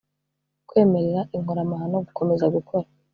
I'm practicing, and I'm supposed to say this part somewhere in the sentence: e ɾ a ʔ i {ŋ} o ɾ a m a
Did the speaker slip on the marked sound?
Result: no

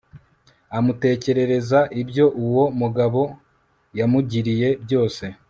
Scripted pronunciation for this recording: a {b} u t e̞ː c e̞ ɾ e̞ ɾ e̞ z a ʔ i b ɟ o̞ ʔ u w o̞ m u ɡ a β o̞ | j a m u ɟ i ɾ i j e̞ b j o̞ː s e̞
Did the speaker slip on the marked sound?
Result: yes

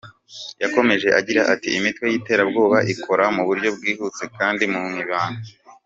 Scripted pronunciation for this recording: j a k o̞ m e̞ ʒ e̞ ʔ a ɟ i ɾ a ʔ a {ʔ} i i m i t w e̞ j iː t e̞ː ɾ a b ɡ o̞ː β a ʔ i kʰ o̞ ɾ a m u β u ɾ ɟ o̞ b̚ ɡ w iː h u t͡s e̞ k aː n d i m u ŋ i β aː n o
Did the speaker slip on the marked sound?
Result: yes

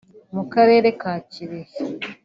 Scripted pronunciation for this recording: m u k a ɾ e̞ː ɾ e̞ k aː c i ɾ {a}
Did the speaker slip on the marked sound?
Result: yes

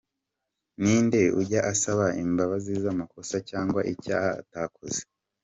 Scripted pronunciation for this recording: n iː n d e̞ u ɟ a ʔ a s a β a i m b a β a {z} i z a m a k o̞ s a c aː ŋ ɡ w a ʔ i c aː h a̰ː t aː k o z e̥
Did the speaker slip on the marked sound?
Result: no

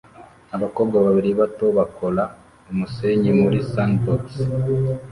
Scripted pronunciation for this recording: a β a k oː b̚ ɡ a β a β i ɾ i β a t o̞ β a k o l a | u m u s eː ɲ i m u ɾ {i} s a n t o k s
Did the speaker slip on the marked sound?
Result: no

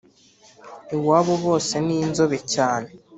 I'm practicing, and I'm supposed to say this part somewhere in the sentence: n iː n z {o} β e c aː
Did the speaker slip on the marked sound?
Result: no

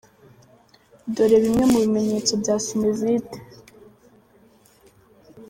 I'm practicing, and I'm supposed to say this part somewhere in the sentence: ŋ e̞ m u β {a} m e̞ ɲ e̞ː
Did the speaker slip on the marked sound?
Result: yes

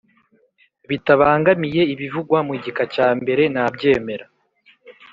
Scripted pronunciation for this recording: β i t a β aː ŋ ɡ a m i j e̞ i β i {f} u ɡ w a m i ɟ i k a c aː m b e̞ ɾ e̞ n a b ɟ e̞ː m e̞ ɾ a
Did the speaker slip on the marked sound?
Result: yes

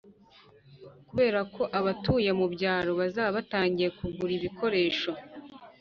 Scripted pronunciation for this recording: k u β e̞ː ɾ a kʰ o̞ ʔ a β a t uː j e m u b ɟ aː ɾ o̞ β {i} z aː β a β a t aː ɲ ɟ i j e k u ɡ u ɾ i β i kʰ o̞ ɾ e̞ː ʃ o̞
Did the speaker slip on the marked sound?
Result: yes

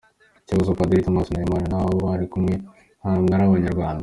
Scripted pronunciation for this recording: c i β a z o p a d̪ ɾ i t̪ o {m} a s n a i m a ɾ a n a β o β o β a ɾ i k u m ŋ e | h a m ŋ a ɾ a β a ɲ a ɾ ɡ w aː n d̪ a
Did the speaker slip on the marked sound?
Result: no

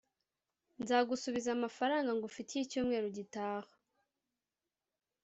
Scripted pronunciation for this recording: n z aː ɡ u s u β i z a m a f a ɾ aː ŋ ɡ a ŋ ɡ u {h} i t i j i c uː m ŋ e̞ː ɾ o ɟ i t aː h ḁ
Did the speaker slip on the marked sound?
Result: yes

